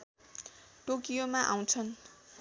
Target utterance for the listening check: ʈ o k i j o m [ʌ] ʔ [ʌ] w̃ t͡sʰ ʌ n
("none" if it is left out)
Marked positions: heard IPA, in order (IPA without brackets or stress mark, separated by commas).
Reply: a, a